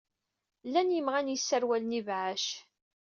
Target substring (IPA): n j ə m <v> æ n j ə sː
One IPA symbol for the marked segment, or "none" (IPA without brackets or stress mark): ʁ